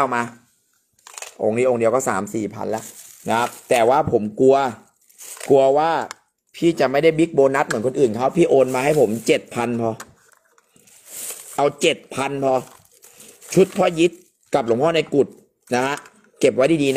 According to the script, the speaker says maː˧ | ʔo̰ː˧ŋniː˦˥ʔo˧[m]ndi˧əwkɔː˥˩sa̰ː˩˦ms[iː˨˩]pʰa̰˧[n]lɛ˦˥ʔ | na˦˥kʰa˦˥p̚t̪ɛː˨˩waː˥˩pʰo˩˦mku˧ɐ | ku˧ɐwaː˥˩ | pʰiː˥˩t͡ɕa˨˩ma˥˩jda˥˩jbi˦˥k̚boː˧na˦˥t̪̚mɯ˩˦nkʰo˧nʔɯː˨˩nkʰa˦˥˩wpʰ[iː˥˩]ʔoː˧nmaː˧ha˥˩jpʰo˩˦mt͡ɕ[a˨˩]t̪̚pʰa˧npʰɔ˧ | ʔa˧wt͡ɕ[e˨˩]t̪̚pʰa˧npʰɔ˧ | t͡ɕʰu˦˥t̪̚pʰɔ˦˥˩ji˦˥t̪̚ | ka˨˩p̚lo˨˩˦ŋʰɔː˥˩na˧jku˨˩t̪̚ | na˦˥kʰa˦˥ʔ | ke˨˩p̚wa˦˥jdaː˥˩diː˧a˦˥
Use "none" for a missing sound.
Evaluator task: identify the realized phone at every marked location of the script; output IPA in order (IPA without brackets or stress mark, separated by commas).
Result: ŋ, iː˨˩, n, iː˥˩, e˨˩, e˨˩